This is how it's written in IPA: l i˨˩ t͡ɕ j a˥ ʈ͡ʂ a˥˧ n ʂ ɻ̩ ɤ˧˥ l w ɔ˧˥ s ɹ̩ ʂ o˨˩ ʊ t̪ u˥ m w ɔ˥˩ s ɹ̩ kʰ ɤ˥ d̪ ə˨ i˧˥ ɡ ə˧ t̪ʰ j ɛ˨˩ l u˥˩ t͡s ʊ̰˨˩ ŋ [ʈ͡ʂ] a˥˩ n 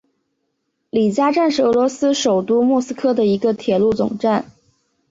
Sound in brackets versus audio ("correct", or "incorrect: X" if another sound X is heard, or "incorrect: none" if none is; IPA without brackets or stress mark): correct